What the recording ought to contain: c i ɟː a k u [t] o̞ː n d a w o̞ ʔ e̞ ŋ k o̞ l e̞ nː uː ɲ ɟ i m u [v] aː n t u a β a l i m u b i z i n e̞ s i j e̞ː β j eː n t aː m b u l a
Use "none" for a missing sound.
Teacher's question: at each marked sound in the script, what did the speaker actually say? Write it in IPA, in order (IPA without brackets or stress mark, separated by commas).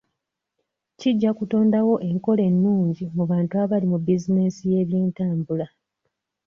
t, β